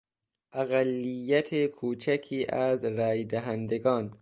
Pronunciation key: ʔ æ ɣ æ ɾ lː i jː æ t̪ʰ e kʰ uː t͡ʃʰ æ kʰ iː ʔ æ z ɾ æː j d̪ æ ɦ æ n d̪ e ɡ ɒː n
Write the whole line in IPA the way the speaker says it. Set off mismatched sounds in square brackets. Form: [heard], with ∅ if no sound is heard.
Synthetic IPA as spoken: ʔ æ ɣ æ [∅] lː i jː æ t̪ʰ e kʰ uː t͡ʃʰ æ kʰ iː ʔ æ z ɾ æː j d̪ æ ɦ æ n d̪ e ɡ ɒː n